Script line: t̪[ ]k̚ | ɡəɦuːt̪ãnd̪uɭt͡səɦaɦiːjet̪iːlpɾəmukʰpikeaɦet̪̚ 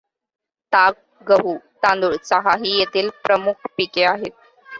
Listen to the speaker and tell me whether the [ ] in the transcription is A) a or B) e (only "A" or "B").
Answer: A